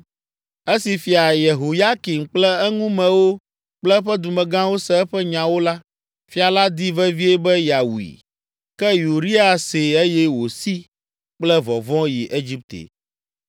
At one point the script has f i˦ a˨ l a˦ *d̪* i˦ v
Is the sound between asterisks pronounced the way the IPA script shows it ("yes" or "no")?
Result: yes